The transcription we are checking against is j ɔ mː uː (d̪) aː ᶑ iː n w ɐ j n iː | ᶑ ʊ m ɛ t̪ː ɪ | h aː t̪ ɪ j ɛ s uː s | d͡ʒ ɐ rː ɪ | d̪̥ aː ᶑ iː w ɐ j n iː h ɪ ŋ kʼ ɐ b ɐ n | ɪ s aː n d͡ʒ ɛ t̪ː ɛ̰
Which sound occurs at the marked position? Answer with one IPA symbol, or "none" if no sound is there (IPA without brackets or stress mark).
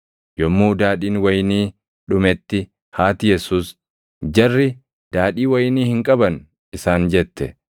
d̪